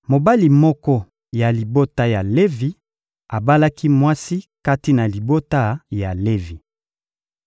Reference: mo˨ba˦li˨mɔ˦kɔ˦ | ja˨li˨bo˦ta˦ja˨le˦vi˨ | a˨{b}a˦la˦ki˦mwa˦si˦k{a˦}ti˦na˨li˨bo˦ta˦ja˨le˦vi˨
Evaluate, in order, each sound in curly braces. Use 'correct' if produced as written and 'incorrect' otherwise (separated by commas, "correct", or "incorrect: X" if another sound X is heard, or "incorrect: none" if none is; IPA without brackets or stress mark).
correct, correct